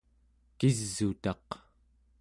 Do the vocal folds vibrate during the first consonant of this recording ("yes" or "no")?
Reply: no